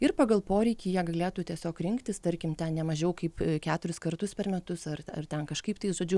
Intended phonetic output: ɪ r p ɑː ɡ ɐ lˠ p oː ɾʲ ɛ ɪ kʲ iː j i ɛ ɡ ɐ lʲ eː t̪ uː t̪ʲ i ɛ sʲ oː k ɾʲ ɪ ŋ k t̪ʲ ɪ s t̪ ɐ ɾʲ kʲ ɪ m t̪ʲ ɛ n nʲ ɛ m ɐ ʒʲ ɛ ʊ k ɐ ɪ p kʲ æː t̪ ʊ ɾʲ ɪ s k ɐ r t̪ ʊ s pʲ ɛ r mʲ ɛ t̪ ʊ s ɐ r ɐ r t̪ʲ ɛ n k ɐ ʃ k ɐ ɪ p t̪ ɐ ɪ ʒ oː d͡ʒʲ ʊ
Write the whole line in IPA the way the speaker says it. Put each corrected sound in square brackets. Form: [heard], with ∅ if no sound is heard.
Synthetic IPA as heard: ɪ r p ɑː ɡ ɐ lˠ p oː ɾʲ ɛ ɪ kʲ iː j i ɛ ɡ ɐ lʲ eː t̪ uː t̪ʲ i ɛ sʲ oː k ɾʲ ɪ ŋ k t̪ʲ ɪ s t̪ ɐ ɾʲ kʲ ɪ m t̪ʲ ɛ n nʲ ɛ m ɐ ʒʲ ɛ ʊ k ɐ ɪ p kʲ æː t̪ ʊ ɾʲ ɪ s k ɐ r t̪ ʊ s pʲ ɛ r mʲ ɛ t̪ ʊ s ɐ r ɐ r t̪ʲ ɛ n k ɐ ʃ k ɐ ɪ p t̪ ɐ ɪ ʒ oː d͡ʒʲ ʊ

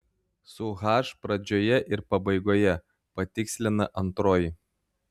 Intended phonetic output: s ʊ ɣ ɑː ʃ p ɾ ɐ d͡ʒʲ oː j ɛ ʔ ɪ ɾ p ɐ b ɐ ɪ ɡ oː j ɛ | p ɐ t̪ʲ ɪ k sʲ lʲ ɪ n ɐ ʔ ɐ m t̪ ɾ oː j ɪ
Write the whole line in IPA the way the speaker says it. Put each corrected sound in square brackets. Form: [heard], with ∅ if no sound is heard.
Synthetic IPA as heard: s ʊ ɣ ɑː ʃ p ɾ ɐ d͡ʒʲ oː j ɛ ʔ ɪ ɾ p ɐ b ɐ ɪ ɡ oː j ɛ | p ɐ t̪ʲ ɪ k sʲ lʲ ɪ n ɐ ʔ ɐ [n] t̪ ɾ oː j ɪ

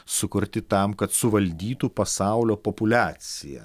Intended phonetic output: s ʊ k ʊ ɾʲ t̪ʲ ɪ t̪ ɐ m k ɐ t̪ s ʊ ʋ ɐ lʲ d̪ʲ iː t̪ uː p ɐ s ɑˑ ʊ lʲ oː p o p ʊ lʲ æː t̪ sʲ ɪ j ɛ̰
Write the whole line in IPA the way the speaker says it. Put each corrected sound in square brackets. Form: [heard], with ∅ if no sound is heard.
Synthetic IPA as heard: s ʊ k ʊ ɾʲ t̪ʲ ɪ t̪ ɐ m k ɐ t̪ s ʊ ʋ ɐ lʲ d̪ʲ iː t̪ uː p ɐ s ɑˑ ʊ lʲ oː p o p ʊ lʲ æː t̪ sʲ ɪ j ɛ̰

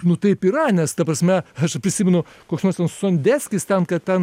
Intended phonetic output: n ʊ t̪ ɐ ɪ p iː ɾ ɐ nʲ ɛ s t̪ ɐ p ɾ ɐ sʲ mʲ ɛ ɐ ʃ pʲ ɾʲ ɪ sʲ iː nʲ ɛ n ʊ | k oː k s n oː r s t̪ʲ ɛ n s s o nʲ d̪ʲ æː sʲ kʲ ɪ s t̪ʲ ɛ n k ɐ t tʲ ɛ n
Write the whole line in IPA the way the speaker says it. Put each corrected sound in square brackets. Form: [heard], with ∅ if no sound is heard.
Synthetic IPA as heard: n ʊ t̪ ɐ ɪ p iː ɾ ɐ nʲ ɛ s t̪ ɐ p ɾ ɐ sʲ mʲ ɛ ɐ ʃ pʲ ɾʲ ɪ sʲ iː [mʲ] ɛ n ʊ | k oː k s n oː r s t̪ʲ ɛ n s s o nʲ d̪ʲ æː sʲ kʲ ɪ s t̪ʲ ɛ n k ɐ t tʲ ɛ n

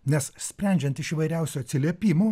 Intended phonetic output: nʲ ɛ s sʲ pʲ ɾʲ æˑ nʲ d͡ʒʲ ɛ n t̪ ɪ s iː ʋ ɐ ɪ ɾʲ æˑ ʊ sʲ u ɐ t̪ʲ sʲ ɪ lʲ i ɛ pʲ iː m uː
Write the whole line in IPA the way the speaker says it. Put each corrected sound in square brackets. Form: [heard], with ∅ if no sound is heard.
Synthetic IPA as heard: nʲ ɛ s sʲ pʲ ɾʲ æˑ nʲ d͡ʒʲ ɛ n t̪ ɪ [ʃ] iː ʋ ɐ ɪ ɾʲ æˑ ʊ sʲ u ɐ t̪ʲ sʲ ɪ lʲ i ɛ pʲ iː m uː

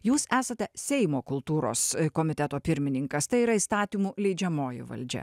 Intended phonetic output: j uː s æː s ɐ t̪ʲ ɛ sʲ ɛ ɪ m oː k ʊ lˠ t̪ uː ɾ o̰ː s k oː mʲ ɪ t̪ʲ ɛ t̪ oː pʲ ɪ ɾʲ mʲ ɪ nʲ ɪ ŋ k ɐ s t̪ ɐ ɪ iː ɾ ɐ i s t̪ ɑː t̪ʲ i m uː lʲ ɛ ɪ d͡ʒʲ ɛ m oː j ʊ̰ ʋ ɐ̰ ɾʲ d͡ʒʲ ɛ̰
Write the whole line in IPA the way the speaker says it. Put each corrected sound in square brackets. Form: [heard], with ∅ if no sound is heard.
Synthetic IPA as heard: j uː s æː s ɐ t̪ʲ ɛ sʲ ɛ ɪ m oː k ʊ lˠ t̪ uː ɾ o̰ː s k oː mʲ ɪ t̪ʲ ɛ t̪ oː pʲ ɪ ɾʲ mʲ ɪ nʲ ɪ ŋ k ɐ s t̪ ɐ ɪ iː ɾ ɐ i s t̪ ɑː t̪ʲ i m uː lʲ ɛ ɪ d͡ʒʲ ɛ m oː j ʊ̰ ʋ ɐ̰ [lʲ] d͡ʒʲ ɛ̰

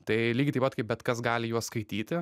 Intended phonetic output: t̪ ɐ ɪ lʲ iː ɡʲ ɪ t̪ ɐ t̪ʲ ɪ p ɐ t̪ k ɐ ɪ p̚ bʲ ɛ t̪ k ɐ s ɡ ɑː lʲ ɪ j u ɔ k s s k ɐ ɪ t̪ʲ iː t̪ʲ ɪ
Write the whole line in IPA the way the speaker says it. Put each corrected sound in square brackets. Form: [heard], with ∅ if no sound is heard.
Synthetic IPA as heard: t̪ ɐ ɪ lʲ iː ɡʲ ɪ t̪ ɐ [∅] ɪ p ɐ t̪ k ɐ ɪ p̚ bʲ ɛ t̪ k ɐ s ɡ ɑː lʲ ɪ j u ɔ [∅] s s k ɐ ɪ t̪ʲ iː t̪ʲ ɪ

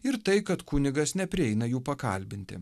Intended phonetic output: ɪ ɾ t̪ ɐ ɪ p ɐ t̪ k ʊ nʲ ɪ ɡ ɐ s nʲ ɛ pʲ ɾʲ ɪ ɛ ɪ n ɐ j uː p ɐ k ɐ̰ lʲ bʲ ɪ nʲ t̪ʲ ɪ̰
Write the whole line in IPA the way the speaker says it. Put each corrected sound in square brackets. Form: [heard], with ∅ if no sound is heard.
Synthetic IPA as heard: ɪ ɾ t̪ ɐ ɪ [k] ɐ t̪ k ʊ nʲ ɪ ɡ ɐ s nʲ ɛ pʲ ɾʲ ɪ ɛ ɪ n ɐ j uː p ɐ k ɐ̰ lʲ bʲ ɪ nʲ t̪ʲ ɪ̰

